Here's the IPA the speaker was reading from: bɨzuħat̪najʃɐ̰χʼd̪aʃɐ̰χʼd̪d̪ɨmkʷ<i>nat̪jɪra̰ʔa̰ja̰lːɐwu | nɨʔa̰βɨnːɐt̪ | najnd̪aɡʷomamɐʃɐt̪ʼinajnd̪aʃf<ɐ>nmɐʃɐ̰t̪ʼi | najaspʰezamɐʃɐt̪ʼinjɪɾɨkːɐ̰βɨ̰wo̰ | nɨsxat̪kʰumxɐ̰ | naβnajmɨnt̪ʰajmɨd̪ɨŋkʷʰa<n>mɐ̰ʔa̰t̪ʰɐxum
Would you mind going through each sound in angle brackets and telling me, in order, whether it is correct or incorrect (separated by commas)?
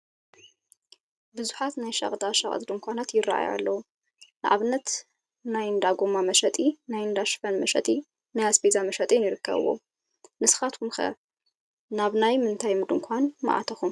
incorrect, correct, correct